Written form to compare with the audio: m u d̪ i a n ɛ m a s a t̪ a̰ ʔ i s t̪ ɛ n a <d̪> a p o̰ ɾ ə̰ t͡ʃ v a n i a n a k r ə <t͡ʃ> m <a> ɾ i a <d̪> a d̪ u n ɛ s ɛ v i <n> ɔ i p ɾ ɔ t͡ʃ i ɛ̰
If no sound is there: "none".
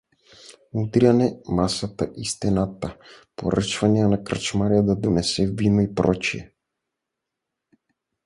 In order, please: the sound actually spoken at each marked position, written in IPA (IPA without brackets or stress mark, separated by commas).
t̪, t͡ʃ, a, d̪, n